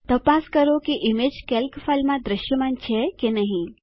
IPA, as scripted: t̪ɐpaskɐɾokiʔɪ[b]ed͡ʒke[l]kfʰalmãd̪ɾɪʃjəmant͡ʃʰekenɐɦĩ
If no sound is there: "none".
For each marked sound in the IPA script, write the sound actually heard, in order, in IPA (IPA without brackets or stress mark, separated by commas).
m, l